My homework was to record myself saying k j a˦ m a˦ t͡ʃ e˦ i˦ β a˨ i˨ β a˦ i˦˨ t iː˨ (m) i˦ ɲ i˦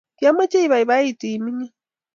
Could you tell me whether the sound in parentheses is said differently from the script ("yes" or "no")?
no